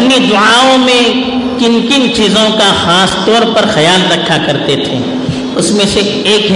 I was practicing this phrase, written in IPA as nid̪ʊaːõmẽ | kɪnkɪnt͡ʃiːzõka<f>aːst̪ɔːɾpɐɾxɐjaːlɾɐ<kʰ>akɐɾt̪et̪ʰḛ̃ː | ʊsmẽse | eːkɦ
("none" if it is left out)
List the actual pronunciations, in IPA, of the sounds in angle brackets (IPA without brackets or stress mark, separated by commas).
x, kʰ